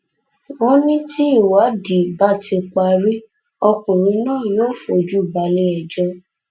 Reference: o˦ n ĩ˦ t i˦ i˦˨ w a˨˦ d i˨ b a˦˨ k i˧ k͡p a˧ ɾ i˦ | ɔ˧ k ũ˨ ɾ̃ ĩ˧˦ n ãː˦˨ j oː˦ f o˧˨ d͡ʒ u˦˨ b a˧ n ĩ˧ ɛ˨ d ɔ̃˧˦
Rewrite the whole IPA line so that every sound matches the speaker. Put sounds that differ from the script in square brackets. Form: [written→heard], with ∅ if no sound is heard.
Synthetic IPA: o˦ n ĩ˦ t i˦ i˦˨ w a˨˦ d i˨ b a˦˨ [k→t] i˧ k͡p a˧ ɾ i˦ | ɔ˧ k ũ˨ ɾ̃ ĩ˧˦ n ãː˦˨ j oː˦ f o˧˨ d͡ʒ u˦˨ b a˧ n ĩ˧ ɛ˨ [d→d͡ʒ] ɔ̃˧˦